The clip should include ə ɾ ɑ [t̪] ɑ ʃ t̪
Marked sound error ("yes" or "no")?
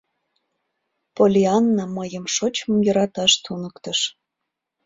no